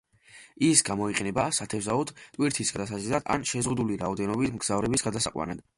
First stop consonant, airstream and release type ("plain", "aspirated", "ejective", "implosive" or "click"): plain